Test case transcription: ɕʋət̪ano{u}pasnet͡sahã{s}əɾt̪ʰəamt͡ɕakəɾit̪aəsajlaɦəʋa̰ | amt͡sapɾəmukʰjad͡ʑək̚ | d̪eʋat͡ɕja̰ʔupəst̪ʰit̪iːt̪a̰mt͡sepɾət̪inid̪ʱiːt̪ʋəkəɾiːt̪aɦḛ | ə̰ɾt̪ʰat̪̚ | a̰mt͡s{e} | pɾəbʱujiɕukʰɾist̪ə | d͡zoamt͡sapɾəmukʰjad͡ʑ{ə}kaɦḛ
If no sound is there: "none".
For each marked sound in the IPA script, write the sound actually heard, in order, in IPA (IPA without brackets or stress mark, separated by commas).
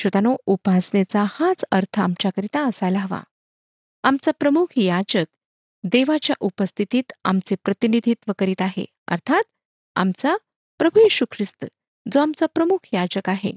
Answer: u, t͡s, a, ə